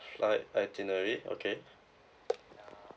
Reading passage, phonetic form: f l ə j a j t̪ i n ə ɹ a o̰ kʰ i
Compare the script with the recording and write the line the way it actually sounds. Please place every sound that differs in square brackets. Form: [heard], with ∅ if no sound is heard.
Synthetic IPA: f l [a] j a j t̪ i n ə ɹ [i] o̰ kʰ [e]